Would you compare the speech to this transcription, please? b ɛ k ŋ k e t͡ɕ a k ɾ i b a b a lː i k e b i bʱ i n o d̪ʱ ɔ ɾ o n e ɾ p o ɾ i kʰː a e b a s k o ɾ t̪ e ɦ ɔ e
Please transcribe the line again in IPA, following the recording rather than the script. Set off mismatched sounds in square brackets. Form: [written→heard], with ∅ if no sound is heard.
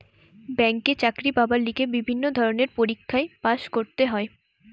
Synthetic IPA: b ɛ [k→∅] ŋ k e t͡ɕ a k ɾ i b a b a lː i k e b i bʱ i [n→nː] o d̪ʱ ɔ ɾ o n e ɾ p o ɾ i kʰː a e [b→p] a [s→ʃ] k o ɾ t̪ e ɦ ɔ e